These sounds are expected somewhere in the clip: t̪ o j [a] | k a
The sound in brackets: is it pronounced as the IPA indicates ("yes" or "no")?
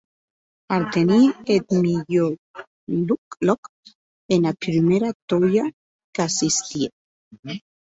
yes